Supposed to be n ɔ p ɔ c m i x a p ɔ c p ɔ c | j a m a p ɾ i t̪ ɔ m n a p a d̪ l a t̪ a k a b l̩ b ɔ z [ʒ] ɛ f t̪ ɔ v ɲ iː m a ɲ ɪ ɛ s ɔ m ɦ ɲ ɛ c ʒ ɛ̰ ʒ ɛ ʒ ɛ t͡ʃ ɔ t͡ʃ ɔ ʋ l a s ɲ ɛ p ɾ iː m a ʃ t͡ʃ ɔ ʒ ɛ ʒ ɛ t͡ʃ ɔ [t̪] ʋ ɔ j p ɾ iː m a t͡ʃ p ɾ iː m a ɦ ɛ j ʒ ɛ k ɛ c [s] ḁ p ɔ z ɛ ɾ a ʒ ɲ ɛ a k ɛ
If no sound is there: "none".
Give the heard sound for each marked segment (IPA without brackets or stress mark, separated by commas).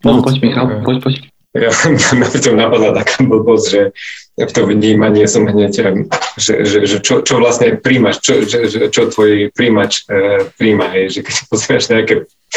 ʒ, t̪, s